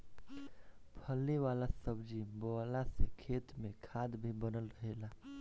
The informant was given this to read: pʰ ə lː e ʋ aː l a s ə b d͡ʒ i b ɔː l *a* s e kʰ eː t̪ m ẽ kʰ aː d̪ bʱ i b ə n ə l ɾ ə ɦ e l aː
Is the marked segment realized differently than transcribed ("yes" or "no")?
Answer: no